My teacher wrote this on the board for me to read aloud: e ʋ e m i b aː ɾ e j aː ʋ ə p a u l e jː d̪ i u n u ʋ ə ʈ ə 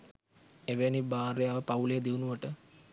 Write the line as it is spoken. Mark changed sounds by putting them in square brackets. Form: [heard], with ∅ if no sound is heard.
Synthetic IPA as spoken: e ʋ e [n] i b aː ɾ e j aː ʋ ə p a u l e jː d̪ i u n u ʋ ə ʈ ə